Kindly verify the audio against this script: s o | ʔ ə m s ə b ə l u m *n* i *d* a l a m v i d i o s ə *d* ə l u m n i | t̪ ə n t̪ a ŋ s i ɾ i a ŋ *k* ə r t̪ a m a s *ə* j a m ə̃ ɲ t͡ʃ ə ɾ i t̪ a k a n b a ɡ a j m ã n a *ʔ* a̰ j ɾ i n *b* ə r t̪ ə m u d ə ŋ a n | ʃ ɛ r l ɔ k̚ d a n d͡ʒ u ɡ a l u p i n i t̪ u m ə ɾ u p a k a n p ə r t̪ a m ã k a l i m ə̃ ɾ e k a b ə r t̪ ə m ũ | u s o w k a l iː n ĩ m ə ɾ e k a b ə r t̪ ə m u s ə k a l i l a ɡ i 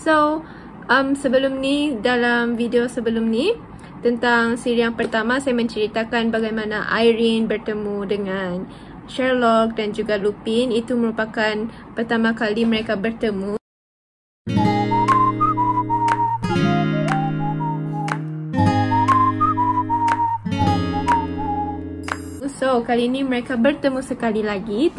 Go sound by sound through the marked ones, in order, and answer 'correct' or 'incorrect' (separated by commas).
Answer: correct, correct, incorrect, incorrect, incorrect, correct, correct